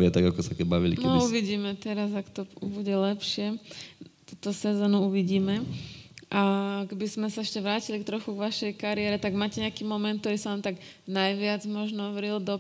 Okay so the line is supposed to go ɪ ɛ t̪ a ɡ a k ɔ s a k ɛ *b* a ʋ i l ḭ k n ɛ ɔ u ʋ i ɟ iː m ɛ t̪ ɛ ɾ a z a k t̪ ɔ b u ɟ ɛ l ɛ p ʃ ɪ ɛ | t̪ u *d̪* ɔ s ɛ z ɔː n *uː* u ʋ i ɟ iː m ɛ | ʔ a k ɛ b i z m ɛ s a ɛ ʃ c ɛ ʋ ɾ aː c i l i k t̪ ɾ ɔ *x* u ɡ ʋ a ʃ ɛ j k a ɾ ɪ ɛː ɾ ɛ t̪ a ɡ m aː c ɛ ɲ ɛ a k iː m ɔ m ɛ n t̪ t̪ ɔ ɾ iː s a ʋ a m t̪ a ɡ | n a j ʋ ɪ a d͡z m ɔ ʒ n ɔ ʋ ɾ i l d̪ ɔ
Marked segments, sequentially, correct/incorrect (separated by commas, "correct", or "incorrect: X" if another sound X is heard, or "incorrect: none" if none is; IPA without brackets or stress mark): correct, incorrect: t̪, incorrect: u, correct